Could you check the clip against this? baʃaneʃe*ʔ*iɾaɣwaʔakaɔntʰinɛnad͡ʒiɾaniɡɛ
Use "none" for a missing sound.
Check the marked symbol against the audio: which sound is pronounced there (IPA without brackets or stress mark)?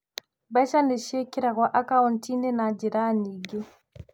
k